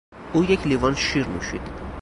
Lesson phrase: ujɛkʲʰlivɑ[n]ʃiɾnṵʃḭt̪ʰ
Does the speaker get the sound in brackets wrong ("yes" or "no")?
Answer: no